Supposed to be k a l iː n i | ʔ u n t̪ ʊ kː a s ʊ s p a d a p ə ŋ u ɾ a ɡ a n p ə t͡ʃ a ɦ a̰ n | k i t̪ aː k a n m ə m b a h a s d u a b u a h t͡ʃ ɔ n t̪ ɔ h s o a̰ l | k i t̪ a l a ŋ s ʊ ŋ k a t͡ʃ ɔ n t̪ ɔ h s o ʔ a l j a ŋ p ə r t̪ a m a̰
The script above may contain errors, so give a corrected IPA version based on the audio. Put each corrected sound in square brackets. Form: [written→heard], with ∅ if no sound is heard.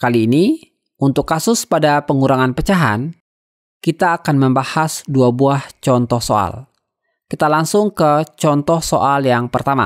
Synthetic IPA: k a l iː n i | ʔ u n t̪ ʊ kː a s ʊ s p a d a p ə ŋ u ɾ a [ɡ→ŋ] a n p ə t͡ʃ a ɦ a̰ n | k i t̪ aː k a n m ə m b a h a s d u a b u a h t͡ʃ ɔ n t̪ ɔ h s o a̰ l | k i t̪ a l a ŋ s ʊ ŋ k [a→ə] t͡ʃ ɔ n t̪ ɔ h s o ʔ a l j a ŋ p ə r t̪ a m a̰